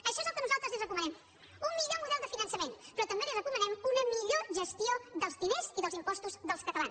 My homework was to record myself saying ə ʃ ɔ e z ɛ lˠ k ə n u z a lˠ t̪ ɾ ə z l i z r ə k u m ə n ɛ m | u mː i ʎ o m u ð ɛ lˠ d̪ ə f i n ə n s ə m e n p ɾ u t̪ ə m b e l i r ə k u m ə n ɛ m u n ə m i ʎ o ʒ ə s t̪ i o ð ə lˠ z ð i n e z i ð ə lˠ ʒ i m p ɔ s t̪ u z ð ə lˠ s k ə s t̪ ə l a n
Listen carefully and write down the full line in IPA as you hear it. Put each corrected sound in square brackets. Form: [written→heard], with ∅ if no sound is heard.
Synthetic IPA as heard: ə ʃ ɔ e z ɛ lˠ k ə n u z a lˠ t̪ ɾ ə z l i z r ə k u m ə n ɛ m | u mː i ʎ o m u ð ɛ lˠ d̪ ə f i n ə n s ə m e n p ɾ [u→ɔ] t̪ ə m b e l i r ə k u m ə n ɛ m u n ə m i ʎ o ʒ ə s t̪ i o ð ə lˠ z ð i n e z i ð ə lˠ [ʒ→z] i m p ɔ s t̪ u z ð ə lˠ s k ə [s→∅] t̪ ə l a n